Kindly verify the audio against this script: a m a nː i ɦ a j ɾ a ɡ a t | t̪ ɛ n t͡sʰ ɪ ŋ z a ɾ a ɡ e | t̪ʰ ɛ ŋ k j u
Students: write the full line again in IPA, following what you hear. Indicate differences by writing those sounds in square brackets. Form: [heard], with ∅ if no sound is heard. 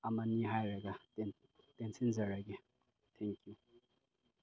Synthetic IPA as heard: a m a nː i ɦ a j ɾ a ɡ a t | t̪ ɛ n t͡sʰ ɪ [n] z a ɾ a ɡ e | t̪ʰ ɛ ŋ k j u